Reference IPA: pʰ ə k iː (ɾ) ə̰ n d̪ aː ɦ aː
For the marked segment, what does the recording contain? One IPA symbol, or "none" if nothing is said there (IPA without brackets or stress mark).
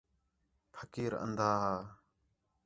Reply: ɾ